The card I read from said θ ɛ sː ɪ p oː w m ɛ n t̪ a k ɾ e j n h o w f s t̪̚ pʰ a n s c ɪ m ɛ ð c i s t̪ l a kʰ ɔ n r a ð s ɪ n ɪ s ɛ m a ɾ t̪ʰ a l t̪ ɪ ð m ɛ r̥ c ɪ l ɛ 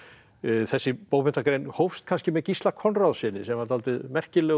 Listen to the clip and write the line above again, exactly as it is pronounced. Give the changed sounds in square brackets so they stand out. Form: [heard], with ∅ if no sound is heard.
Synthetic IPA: θ ɛ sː ɪ p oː w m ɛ n t̪ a k ɾ e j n h o w f s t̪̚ [kʰ] a n s c ɪ m ɛ ð c i s t̪ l a kʰ ɔ n r a ð s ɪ n ɪ s ɛ m a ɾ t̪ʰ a l t̪ ɪ ð m ɛ r̥ c ɪ l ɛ